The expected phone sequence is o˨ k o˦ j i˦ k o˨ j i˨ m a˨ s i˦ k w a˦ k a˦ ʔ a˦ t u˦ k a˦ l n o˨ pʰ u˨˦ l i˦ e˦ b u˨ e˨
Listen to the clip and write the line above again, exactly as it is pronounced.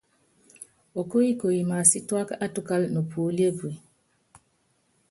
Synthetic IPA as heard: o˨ k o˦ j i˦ k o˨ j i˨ m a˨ s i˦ t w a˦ k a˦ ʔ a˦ t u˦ k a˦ l n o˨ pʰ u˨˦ l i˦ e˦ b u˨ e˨